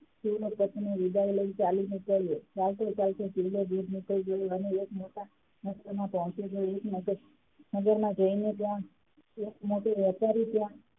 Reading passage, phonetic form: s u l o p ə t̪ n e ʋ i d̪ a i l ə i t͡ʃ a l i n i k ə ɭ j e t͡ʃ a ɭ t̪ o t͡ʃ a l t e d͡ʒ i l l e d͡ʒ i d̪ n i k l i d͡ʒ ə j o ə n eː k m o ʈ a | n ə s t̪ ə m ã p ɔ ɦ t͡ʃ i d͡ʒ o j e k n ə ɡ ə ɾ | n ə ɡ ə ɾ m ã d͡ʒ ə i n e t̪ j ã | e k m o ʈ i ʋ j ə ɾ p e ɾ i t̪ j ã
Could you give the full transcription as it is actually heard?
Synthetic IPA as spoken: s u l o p ə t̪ n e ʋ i d̪ a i l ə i t͡ʃ a l i n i k ə ɭ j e t͡ʃ a l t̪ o t͡ʃ a l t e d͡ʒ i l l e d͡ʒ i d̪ n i k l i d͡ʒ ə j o ə n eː k m o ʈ a | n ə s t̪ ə m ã p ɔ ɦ t͡ʃ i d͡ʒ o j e k n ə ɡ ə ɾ | n ə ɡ ə ɾ m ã d͡ʒ ə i n e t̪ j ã | e k m o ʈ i ʋ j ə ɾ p a ɾ i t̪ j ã